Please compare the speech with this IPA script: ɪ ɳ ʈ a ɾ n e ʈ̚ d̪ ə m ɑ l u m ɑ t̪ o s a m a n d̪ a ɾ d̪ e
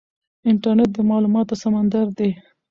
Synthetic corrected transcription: ɪ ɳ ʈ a ɾ n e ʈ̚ d̪ ə m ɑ l u m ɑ t̪ o s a m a n d̪ a ɾ d̪ e